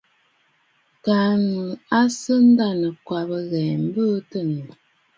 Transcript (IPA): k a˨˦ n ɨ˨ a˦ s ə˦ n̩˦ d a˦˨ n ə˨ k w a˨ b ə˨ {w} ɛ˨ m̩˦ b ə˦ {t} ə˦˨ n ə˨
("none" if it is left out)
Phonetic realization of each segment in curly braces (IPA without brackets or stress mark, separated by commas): ɣ, t